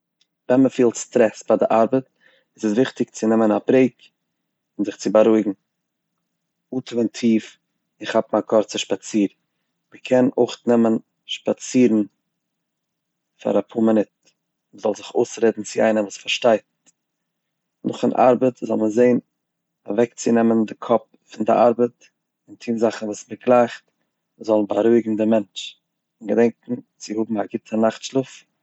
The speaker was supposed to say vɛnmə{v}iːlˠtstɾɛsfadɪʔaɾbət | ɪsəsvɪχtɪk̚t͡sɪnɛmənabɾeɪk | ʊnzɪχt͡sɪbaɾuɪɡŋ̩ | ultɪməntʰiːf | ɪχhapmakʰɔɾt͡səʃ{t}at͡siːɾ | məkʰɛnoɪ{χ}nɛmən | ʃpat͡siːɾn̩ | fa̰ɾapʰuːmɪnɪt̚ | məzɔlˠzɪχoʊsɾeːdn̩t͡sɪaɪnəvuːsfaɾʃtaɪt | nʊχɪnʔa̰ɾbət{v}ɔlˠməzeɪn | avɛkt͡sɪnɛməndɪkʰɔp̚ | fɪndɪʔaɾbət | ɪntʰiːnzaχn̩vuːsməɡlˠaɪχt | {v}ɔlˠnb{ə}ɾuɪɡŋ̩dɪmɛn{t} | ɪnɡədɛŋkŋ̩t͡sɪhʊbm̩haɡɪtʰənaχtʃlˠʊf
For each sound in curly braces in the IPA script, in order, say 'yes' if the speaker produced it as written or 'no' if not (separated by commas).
no, no, yes, no, no, no, no